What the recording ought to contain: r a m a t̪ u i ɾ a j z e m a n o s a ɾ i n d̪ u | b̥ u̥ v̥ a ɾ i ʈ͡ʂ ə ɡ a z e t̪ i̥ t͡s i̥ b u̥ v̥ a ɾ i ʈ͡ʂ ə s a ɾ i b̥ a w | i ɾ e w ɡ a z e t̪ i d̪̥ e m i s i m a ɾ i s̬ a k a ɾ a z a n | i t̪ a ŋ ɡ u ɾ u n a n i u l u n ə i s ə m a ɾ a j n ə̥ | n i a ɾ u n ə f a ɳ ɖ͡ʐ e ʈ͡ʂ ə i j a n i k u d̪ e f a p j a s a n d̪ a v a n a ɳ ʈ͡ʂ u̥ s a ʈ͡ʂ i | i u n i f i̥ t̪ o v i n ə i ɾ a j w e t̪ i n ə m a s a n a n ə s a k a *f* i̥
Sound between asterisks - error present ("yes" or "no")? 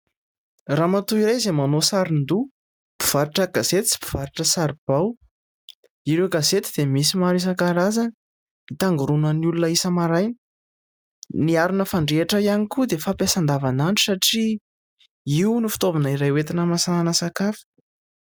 no